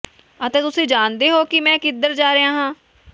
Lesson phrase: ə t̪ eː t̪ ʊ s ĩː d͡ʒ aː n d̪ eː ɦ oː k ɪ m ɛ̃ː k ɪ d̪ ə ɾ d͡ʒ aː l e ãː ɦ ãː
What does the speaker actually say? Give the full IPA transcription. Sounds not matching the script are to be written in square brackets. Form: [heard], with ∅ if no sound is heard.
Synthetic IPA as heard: ə t̪ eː t̪ ʊ s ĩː d͡ʒ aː n d̪ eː ɦ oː k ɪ m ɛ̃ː k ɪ d̪ ə ɾ d͡ʒ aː [ɾ] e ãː ɦ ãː